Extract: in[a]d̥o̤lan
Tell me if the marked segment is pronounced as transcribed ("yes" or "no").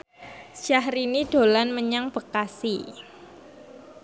no